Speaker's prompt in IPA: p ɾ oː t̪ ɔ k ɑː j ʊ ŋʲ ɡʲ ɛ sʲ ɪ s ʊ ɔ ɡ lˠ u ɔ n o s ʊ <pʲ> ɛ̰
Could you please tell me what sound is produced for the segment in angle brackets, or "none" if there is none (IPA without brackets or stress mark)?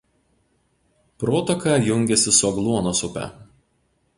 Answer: pʲ